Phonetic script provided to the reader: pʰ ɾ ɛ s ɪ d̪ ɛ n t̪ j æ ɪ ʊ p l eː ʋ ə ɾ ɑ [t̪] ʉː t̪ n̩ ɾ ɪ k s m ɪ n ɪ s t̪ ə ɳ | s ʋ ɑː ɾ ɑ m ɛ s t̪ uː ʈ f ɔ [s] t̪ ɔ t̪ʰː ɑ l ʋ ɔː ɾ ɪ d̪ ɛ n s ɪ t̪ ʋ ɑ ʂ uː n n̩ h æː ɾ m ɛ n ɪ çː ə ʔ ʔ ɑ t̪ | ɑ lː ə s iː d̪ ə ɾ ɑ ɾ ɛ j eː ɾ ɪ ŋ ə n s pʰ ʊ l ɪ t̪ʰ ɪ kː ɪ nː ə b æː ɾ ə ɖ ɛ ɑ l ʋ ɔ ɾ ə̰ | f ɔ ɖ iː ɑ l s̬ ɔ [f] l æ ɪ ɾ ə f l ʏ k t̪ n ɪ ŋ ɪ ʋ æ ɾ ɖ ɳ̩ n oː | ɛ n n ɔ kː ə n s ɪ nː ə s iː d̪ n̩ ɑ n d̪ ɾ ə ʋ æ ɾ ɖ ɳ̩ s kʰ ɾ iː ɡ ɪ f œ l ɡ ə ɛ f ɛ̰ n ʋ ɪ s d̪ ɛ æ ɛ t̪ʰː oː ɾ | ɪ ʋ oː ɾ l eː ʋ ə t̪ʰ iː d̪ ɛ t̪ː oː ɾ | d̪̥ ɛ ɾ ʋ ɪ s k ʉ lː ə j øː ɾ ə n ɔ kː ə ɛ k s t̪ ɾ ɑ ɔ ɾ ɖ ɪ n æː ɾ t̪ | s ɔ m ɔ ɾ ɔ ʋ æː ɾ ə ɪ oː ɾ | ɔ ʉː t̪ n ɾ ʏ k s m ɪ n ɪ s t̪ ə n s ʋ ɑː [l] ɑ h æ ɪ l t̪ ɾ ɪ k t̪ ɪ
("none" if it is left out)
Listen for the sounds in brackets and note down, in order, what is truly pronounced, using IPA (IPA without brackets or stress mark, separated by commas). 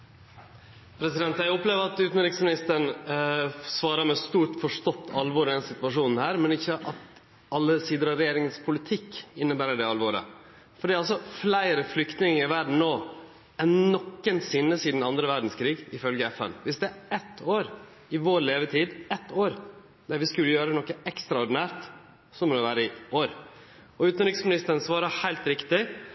t̪, ʂ, f, ɾ